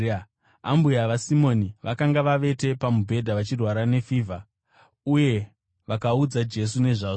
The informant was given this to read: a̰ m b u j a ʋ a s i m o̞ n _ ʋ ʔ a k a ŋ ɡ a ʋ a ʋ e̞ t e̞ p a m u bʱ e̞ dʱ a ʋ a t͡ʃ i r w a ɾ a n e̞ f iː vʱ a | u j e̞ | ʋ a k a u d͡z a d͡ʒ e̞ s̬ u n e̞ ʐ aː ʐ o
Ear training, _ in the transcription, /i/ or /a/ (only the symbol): i